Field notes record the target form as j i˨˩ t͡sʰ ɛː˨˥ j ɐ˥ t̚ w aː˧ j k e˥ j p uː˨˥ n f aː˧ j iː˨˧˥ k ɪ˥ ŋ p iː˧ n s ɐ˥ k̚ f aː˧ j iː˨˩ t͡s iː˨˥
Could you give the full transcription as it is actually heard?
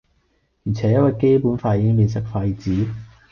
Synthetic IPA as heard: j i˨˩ t͡sʰ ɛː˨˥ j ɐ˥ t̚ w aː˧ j k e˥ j p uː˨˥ n f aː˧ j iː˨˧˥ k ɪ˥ ŋ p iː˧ n s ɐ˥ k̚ f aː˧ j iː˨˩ t͡s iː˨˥